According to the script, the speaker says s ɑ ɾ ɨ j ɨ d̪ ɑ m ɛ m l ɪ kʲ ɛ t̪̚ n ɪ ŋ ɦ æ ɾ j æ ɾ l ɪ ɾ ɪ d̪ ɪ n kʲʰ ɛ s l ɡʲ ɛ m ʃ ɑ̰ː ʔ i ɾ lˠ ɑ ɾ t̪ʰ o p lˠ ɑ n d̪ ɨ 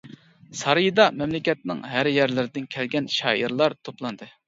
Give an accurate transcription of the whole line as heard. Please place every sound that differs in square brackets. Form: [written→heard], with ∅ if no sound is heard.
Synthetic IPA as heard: s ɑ ɾ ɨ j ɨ d̪ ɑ m ɛ m l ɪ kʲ ɛ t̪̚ n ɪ ŋ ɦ æ ɾ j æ ɾ l ɪ ɾ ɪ d̪ ɪ n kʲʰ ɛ [s→∅] l ɡʲ ɛ [m→n] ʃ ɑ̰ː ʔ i ɾ lˠ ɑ ɾ t̪ʰ o p lˠ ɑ n d̪ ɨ

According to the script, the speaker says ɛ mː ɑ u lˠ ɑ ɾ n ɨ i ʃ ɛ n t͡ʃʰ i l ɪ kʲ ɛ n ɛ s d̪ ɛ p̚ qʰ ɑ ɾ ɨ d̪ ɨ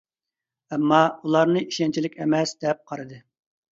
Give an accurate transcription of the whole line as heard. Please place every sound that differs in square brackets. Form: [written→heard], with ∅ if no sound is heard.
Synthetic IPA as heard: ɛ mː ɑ u lˠ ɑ ɾ n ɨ i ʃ ɛ n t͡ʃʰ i l ɪ kʲ ɛ [n→m] ɛ s d̪ ɛ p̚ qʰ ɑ ɾ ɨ d̪ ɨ

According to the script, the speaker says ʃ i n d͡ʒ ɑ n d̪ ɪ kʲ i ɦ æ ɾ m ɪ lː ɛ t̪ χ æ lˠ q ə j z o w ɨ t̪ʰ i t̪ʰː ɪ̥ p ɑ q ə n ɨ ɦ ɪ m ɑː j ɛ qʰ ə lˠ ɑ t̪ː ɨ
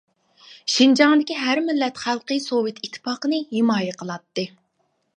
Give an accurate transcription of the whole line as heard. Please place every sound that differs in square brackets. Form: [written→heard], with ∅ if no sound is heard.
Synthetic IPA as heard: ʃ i n d͡ʒ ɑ [n→ŋ] d̪ ɪ kʲ i ɦ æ ɾ m ɪ lː ɛ t̪ χ æ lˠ q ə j [z→s] o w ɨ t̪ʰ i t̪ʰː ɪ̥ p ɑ q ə n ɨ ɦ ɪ m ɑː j ɛ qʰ ə lˠ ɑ t̪ː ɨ

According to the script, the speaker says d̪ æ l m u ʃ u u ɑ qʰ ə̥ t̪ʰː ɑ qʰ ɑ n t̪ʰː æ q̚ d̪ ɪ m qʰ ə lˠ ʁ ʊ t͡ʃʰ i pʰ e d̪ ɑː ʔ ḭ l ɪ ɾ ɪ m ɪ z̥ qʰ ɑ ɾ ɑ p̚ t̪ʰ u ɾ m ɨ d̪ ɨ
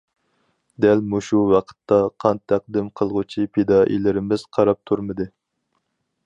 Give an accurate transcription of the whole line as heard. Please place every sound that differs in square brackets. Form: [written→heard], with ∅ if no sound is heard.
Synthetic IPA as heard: d̪ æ l m u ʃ u [u→w] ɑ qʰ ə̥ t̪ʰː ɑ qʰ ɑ n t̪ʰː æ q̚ d̪ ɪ m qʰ ə lˠ ʁ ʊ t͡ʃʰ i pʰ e d̪ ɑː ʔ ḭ l ɪ ɾ ɪ m ɪ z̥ qʰ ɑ ɾ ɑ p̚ t̪ʰ u ɾ m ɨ d̪ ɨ

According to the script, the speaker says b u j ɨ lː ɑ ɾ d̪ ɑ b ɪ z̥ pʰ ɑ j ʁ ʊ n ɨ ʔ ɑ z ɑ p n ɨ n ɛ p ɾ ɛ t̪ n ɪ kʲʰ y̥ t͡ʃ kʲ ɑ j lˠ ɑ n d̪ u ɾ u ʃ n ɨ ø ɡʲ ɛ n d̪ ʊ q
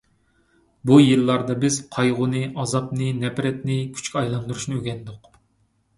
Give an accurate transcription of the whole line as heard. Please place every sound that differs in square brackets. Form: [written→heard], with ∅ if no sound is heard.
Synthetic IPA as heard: b u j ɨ lː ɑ ɾ d̪ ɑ b ɪ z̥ [pʰ→qʰ] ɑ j ʁ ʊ n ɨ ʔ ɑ z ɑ p n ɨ n ɛ p ɾ ɛ t̪ n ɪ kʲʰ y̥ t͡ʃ kʲ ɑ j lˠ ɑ n d̪ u ɾ u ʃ n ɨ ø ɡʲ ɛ n d̪ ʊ q

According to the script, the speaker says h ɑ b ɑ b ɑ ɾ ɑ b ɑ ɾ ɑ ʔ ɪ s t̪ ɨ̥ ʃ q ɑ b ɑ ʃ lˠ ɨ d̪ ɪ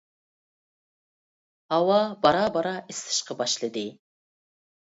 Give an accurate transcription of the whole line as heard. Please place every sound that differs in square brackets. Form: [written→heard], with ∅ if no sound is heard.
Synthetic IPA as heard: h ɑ [b→w] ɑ b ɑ ɾ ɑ b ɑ ɾ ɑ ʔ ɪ s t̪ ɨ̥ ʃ q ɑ b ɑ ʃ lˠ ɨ d̪ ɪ

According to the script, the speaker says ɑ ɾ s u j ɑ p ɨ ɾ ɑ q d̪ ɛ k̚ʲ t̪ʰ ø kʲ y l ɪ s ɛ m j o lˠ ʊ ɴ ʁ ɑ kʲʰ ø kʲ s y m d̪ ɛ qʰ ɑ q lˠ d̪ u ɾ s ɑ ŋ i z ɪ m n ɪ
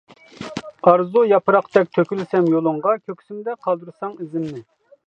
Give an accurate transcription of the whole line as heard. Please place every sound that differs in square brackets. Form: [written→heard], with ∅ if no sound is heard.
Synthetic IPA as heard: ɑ ɾ [s→z] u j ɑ p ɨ ɾ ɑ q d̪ ɛ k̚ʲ t̪ʰ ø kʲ y l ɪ s ɛ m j o lˠ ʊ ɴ ʁ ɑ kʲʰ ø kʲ s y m d̪ ɛ qʰ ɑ [q→∅] lˠ d̪ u ɾ s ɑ ŋ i z ɪ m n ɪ

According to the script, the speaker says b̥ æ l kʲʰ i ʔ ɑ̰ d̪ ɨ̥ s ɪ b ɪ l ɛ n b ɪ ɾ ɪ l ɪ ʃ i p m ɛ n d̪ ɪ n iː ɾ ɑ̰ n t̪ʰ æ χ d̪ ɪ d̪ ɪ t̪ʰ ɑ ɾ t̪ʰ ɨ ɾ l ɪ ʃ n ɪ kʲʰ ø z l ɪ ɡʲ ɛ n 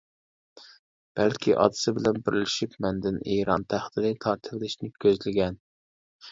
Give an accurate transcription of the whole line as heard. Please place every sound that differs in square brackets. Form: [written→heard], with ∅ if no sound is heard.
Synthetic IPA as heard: b̥ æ l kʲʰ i ʔ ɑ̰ d̪ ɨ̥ s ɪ b ɪ l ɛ n b ɪ ɾ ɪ l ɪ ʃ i p m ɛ n d̪ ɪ n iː ɾ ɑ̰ n t̪ʰ æ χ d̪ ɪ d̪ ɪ t̪ʰ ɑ ɾ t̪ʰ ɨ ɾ l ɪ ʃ n ɪ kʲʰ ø z l ɪ ɡʲ ɛ n

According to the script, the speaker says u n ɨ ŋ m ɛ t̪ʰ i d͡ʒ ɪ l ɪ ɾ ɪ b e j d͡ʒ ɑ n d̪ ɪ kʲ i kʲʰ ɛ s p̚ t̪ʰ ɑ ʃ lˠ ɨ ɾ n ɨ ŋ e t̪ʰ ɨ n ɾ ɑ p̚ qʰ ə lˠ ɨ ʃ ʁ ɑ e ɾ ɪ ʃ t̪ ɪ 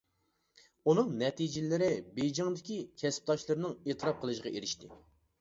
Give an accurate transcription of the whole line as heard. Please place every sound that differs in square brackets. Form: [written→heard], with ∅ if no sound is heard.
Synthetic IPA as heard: u n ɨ ŋ [m→n] ɛ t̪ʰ i d͡ʒ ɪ l ɪ ɾ ɪ b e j d͡ʒ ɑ [n→ŋ] d̪ ɪ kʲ i kʲʰ ɛ s p̚ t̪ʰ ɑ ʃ lˠ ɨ ɾ n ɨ ŋ e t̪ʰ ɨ [n→∅] ɾ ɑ p̚ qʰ ə lˠ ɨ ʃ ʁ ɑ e ɾ ɪ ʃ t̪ ɪ

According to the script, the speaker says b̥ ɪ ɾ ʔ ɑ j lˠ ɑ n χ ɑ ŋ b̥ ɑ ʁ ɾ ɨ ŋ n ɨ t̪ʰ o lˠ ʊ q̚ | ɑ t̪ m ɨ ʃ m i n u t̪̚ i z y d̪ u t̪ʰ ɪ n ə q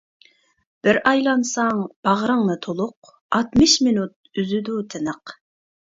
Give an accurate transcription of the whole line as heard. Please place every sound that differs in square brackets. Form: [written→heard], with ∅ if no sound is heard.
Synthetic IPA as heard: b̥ ɪ ɾ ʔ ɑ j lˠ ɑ n [χ→s] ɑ ŋ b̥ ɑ ʁ ɾ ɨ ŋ n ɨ t̪ʰ o lˠ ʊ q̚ | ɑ t̪ m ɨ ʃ m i n u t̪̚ [i→y] z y d̪ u t̪ʰ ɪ n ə q

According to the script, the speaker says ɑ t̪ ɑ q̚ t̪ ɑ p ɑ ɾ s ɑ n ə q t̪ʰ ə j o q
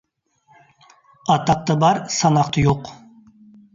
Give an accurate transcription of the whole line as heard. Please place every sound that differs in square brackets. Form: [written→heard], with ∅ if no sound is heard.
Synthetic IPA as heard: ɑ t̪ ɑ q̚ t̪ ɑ [p→b] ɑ ɾ s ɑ n [ə→ɑ] q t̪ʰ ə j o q

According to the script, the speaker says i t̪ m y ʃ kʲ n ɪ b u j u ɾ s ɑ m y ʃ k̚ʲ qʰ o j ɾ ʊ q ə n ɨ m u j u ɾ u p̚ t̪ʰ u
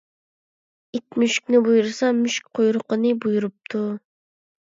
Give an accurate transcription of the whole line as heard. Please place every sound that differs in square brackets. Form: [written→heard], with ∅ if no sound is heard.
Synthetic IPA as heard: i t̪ m y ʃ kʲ n ɪ b u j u ɾ s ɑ m y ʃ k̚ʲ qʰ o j ɾ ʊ q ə n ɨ [m→b] u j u ɾ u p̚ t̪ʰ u

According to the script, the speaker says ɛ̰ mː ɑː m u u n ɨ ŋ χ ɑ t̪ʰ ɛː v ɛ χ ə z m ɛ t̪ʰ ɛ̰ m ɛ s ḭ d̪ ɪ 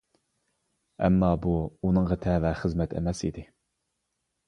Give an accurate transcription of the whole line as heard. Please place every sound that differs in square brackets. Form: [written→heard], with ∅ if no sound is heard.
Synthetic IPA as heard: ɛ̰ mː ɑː [m→b] u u n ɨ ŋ [χ→ʁ] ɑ t̪ʰ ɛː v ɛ χ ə z m ɛ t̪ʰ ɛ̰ m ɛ s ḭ d̪ ɪ

